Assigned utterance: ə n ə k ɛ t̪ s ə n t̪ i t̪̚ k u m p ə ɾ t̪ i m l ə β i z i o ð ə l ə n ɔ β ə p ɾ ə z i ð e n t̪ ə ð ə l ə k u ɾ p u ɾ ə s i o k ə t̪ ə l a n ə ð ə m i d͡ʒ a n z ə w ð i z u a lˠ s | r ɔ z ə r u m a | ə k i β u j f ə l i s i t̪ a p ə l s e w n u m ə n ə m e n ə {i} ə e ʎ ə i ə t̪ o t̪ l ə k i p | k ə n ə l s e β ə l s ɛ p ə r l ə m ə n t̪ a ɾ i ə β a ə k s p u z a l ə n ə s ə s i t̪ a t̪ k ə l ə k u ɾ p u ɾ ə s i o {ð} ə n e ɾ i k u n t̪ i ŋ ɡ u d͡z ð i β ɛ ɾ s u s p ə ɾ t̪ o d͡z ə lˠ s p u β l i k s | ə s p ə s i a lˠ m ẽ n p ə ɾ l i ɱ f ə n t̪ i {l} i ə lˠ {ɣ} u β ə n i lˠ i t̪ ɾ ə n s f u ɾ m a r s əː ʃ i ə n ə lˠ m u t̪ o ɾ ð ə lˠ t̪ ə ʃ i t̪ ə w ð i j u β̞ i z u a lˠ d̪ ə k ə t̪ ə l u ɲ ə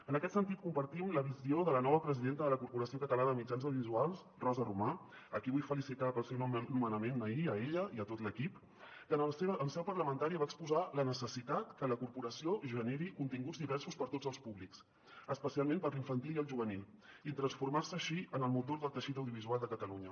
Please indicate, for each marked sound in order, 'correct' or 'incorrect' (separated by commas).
correct, incorrect, correct, incorrect